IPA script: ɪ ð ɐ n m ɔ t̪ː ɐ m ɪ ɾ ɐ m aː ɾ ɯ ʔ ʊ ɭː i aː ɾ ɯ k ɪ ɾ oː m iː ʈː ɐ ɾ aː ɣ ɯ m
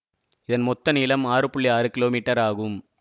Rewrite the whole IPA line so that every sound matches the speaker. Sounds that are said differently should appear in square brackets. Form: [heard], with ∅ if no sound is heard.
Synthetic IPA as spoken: ɪ ð ɐ n m ɔ t̪ː ɐ [n] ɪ [l] ɐ m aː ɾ ɯ [p] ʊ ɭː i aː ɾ ɯ k ɪ [l] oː m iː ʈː ɐ ɾ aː ɣ ɯ m